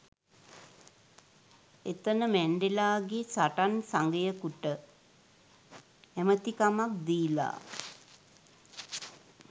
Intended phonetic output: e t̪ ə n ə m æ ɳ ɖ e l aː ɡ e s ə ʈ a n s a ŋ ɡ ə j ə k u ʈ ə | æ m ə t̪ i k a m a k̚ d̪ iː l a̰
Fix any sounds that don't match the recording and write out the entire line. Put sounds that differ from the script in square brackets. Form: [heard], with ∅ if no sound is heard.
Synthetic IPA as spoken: e t̪ ə n ə m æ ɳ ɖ e l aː ɡ e s [a] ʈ a n s a ŋ ɡ ə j ə k u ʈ ə | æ m ə t̪ i k a m a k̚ d̪ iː l a̰